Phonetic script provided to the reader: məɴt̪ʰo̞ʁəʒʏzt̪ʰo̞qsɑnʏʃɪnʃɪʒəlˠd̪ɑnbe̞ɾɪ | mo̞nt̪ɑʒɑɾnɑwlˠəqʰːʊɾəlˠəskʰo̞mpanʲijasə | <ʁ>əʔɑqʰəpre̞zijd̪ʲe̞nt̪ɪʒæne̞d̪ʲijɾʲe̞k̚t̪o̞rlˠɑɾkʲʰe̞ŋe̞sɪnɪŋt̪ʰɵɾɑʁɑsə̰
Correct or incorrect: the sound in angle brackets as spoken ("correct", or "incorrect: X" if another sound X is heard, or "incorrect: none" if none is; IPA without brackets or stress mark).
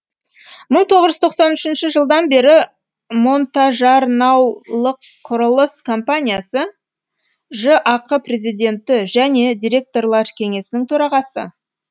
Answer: incorrect: ʒ